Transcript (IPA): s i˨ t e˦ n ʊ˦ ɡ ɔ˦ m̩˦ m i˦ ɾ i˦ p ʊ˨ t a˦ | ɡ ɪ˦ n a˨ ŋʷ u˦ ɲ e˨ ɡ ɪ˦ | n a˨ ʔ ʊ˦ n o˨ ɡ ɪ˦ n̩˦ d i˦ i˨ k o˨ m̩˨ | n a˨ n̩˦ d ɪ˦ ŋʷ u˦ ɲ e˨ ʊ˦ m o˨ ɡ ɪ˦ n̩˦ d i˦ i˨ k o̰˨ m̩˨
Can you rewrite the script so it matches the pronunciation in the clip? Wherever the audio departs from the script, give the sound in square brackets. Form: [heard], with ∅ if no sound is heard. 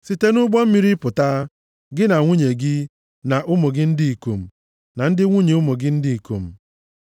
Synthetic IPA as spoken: s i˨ t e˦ n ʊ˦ [ɡ͡b] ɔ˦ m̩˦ m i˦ ɾ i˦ p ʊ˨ t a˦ | ɡ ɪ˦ n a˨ ŋʷ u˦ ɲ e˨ ɡ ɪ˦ | n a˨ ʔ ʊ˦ [m] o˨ ɡ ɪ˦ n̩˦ d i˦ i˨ k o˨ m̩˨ | n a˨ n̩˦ d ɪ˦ ŋʷ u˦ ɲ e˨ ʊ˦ m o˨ ɡ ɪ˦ n̩˦ d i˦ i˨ k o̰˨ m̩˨